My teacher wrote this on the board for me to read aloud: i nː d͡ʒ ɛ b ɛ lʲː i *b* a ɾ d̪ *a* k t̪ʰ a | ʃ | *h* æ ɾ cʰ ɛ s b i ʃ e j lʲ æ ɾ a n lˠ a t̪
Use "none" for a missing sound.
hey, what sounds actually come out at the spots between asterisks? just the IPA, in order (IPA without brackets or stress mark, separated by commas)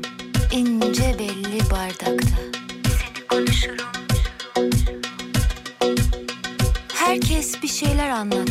b, a, h